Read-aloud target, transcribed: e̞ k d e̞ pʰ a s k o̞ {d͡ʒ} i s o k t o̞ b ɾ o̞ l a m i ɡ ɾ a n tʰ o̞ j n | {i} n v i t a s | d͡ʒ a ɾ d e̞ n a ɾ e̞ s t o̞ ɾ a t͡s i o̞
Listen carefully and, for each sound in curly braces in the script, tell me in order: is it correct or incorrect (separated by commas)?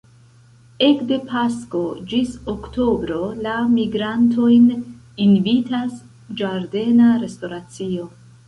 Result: correct, correct